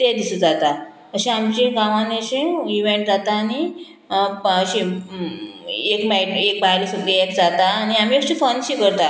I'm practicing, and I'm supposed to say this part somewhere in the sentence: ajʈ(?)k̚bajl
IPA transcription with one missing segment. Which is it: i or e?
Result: e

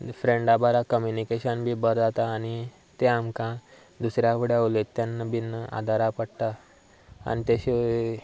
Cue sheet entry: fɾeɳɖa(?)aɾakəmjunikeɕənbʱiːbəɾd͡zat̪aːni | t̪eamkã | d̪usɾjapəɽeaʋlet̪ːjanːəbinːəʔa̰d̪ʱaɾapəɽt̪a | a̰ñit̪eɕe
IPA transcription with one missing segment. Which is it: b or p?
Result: b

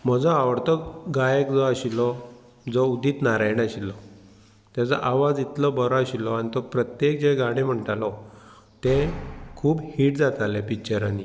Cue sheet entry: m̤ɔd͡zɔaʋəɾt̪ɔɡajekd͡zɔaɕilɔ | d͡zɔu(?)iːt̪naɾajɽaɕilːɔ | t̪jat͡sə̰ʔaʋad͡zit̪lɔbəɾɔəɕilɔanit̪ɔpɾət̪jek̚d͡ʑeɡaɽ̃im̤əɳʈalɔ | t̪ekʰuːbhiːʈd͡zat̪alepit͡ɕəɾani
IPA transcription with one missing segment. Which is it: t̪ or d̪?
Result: d̪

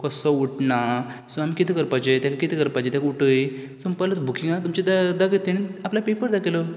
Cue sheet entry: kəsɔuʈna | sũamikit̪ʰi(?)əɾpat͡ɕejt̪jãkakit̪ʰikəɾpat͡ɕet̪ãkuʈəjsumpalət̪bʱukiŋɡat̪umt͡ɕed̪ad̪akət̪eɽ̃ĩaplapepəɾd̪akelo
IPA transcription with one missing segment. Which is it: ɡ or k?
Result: k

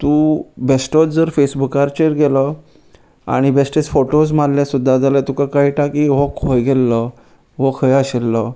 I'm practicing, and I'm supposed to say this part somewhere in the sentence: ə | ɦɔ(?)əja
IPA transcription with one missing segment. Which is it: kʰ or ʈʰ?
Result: kʰ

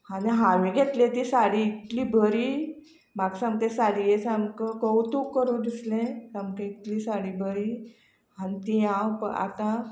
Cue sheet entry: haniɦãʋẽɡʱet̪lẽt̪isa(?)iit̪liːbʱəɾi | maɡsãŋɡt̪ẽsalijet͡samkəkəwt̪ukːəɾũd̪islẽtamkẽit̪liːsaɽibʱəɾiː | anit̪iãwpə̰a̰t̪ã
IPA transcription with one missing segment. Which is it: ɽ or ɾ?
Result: ɽ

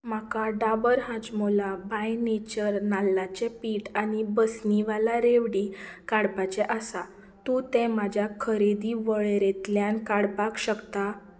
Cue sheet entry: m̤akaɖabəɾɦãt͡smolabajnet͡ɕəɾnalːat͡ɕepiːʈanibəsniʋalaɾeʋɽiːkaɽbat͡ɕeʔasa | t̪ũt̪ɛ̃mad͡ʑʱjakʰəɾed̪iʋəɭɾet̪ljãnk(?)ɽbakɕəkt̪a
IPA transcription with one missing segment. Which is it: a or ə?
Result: a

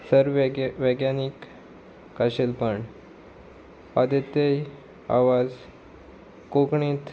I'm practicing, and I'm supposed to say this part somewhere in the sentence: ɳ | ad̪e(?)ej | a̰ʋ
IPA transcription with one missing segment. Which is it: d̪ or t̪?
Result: t̪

